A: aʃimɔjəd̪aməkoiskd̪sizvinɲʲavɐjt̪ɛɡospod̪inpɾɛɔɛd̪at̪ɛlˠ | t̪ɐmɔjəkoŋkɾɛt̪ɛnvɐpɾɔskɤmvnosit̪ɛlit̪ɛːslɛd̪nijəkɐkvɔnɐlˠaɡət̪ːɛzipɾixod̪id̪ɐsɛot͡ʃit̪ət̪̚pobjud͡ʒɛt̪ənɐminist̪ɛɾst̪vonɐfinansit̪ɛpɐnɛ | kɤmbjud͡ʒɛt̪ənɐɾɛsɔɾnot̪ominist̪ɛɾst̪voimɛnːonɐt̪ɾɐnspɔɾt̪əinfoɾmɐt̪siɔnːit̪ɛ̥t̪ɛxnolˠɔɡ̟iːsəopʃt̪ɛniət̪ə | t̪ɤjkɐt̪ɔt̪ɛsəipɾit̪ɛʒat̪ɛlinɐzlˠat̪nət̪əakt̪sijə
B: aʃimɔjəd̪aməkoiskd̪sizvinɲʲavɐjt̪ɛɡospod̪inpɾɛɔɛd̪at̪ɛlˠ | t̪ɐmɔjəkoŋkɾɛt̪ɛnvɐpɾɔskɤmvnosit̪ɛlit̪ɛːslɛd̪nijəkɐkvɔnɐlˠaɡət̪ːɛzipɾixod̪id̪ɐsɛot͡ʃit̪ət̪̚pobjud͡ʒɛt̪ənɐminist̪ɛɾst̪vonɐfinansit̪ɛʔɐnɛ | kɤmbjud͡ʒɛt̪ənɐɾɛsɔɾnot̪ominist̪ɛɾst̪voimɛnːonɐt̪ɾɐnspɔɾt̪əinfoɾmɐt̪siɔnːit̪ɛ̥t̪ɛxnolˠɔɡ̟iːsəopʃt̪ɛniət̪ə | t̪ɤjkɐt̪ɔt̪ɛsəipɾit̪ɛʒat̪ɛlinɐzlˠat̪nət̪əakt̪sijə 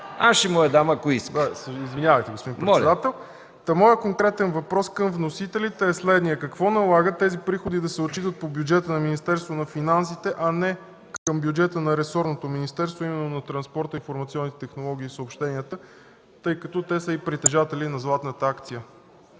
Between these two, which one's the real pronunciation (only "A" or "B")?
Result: B